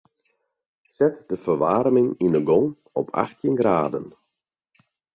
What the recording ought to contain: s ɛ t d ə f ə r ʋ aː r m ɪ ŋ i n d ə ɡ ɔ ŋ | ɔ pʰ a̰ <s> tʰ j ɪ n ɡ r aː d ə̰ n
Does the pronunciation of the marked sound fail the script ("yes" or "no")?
yes